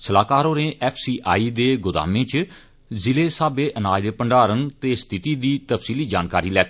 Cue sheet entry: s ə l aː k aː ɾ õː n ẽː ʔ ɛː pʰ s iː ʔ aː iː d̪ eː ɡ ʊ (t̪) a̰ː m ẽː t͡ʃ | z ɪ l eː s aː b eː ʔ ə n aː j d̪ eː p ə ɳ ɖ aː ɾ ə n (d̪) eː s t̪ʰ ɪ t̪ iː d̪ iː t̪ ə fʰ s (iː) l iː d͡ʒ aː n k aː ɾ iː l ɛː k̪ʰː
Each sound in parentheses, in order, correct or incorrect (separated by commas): incorrect, incorrect, correct